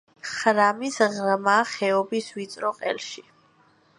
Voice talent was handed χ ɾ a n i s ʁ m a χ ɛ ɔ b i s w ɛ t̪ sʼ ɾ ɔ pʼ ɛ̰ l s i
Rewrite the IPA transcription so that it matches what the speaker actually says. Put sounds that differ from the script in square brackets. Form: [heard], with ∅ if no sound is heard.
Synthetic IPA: χ ɾ a [m] i s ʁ m a χ ɛ ɔ b i s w [i] t̪ sʼ ɾ ɔ [qʼ] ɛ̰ l [ʃ] i